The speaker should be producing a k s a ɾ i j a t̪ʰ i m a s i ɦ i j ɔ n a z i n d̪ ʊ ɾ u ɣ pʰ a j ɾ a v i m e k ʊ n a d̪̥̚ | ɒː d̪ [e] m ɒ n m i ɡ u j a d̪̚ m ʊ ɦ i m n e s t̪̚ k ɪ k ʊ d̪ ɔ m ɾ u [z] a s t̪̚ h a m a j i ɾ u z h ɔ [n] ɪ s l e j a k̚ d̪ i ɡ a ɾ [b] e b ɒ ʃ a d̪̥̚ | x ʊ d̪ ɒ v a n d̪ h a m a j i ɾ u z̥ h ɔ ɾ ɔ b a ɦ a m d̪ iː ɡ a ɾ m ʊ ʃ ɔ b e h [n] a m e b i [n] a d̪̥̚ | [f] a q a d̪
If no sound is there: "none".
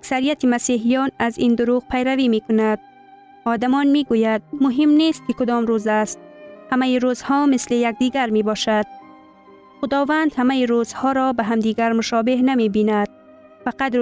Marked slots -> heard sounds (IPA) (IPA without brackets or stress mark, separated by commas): a, z, m, m, n, n, f